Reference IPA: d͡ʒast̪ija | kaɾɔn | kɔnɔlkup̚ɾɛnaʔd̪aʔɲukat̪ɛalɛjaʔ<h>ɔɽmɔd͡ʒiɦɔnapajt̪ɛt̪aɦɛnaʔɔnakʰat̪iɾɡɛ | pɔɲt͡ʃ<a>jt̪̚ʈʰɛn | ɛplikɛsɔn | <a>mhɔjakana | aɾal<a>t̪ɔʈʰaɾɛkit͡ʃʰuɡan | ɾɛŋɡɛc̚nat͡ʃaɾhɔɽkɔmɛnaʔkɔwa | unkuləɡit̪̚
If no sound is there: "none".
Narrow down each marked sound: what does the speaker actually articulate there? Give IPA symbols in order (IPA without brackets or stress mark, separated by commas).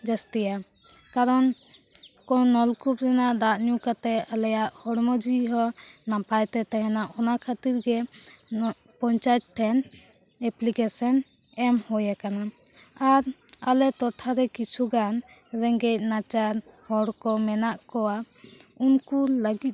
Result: h, a, ɛ, ɛ